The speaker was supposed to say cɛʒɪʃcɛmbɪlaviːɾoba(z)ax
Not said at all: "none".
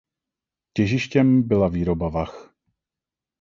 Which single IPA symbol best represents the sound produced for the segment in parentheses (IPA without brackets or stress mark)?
v